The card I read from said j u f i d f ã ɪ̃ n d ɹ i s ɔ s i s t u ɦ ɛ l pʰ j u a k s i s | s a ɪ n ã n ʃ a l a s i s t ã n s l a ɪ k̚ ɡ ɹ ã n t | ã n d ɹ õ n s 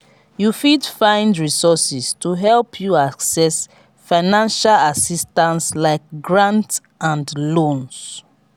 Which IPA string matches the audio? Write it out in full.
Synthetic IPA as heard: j u f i d f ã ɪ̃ n d ɹ i s ɔ s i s t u ɦ ɛ l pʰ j u a k s ɛ s | f a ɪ n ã n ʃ a l a s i s t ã n s l a ɪ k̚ ɡ ɹ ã n t | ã n d l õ n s